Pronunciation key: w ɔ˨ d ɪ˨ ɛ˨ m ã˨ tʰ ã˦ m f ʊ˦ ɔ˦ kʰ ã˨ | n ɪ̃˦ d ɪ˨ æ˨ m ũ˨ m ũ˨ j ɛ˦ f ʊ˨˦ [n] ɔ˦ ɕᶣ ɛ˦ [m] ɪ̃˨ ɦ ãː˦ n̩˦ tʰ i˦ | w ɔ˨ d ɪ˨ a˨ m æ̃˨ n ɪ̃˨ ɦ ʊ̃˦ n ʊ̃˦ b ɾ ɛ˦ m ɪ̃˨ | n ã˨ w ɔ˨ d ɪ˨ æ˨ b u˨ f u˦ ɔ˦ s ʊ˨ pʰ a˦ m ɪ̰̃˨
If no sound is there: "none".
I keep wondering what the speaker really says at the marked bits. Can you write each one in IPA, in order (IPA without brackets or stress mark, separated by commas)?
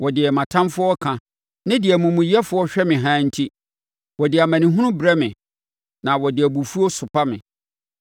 none, m